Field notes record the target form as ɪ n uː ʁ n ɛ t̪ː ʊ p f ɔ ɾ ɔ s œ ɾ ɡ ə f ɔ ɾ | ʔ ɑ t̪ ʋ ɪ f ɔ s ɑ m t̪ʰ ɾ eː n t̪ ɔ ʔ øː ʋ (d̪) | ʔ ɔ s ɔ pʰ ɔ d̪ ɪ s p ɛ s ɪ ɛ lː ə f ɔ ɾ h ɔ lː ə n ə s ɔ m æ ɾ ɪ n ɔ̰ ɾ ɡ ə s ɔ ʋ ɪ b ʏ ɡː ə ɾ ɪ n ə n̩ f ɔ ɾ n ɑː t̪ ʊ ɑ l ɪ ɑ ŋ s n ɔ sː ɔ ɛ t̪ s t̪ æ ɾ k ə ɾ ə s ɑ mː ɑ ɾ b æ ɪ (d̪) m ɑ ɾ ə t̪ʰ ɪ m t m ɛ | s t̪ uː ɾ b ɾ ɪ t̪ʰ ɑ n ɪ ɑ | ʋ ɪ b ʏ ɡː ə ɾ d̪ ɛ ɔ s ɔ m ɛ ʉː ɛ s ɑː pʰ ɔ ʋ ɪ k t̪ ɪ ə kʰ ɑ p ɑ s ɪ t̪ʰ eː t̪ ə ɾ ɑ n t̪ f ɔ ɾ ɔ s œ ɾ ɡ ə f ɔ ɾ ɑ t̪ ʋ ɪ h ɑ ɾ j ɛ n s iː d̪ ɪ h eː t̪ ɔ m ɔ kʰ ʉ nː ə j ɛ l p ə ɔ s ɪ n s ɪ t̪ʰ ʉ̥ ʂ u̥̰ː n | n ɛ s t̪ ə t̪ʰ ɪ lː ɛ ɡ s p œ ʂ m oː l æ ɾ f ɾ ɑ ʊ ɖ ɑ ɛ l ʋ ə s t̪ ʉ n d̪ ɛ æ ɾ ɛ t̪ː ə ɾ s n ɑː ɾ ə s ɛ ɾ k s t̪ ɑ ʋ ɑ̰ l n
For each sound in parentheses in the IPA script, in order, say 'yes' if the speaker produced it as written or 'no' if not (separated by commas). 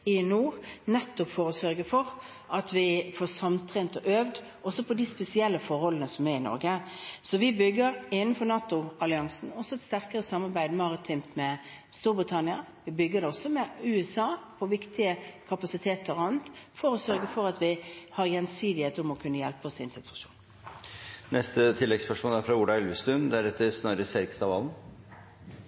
yes, yes